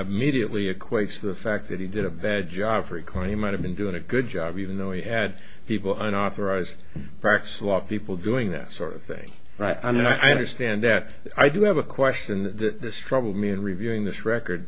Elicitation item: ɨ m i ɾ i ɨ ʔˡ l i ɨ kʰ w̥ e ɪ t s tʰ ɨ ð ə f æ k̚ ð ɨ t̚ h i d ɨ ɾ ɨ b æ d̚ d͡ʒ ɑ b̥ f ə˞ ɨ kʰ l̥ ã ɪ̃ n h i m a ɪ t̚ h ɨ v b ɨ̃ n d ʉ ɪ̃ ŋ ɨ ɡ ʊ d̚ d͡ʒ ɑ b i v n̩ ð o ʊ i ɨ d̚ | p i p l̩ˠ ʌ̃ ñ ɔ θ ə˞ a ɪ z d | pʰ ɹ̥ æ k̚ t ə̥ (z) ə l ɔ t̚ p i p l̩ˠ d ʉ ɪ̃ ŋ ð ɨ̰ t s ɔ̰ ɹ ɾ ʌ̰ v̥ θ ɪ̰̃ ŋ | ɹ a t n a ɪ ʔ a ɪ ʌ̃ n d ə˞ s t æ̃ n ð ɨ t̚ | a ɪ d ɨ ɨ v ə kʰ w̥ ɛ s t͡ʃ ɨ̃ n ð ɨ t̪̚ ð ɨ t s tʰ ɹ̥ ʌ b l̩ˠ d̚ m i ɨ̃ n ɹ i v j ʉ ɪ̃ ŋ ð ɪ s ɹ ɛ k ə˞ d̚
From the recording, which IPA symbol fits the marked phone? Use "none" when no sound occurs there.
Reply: s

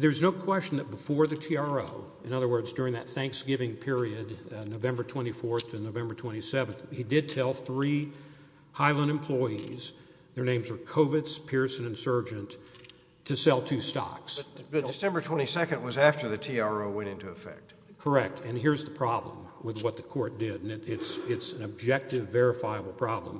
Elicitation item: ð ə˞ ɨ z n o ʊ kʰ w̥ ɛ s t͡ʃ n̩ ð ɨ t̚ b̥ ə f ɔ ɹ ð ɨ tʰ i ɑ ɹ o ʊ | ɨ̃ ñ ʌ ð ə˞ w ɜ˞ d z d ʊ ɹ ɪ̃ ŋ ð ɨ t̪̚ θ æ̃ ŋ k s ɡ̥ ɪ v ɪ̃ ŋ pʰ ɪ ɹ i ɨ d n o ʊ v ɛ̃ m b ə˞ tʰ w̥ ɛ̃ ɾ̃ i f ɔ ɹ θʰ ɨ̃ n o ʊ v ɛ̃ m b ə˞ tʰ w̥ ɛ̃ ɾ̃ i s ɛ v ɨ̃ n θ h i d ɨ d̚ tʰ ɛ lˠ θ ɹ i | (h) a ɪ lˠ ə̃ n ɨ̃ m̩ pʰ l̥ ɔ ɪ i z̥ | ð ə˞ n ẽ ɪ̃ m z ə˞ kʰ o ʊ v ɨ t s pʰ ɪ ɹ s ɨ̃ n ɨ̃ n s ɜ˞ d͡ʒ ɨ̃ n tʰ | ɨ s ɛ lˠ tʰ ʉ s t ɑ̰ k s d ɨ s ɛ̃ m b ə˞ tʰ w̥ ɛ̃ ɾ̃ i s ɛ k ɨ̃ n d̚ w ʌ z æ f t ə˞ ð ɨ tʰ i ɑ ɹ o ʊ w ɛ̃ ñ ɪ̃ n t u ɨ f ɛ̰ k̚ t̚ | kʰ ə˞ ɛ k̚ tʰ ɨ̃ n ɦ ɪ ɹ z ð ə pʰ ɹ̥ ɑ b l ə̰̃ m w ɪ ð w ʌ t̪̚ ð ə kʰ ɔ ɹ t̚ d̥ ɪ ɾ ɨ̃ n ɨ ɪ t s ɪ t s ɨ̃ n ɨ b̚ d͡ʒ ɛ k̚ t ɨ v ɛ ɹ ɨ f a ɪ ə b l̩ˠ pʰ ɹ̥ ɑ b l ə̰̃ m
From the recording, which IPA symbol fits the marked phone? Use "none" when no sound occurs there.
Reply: h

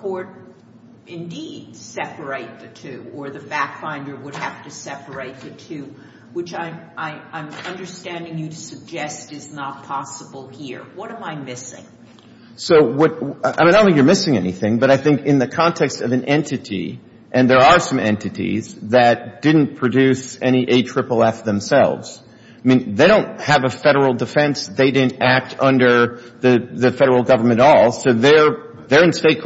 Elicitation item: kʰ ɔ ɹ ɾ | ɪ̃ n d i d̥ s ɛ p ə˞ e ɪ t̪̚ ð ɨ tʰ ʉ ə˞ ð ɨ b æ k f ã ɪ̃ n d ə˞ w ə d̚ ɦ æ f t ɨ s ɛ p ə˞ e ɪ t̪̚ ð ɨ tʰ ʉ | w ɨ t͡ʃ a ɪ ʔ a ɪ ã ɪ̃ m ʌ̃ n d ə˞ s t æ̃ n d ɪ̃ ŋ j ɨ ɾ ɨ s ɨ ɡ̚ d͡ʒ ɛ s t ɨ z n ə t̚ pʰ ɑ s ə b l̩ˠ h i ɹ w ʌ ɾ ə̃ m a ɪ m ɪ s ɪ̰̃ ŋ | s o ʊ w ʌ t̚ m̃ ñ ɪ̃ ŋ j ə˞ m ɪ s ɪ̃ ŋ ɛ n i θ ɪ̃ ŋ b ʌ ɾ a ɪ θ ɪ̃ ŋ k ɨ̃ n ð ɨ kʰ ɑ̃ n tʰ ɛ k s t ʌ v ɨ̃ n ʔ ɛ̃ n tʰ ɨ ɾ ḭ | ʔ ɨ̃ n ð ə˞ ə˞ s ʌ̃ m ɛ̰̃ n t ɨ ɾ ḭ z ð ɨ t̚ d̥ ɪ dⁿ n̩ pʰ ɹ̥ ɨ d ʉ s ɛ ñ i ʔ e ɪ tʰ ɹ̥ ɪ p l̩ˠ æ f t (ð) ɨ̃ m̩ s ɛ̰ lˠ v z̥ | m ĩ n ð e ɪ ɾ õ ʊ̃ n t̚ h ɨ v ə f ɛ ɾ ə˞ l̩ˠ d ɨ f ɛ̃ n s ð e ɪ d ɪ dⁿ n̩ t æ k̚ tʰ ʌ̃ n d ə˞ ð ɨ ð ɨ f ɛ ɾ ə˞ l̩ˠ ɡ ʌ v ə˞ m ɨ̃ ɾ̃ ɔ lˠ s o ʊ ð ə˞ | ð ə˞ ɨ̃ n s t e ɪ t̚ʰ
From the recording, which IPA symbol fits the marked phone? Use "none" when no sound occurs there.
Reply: ð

